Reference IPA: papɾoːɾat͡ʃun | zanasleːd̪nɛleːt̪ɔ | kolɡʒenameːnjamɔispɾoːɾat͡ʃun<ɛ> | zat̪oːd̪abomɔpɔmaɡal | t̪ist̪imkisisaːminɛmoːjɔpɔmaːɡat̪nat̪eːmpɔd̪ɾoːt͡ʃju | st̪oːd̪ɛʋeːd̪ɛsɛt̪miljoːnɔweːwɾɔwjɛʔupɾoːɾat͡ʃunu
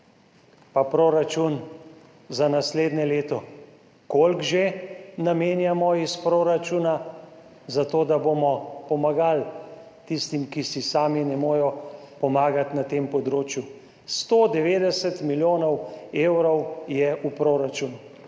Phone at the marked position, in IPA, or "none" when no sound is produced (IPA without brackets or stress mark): a